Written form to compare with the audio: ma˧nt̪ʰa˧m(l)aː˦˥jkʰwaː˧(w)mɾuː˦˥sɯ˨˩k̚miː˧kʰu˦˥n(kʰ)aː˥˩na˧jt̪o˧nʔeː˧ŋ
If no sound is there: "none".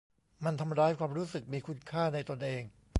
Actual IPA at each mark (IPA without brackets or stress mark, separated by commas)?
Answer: ɾ, none, kʰ